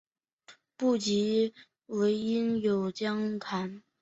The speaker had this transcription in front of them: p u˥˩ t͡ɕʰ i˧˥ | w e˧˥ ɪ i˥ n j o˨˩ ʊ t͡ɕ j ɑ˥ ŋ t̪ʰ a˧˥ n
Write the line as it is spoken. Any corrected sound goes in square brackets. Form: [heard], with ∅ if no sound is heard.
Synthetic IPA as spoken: p u˥˩ [t͡ɕ] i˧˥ | w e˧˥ ɪ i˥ n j o˨˩ ʊ t͡ɕ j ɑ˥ ŋ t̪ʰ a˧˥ n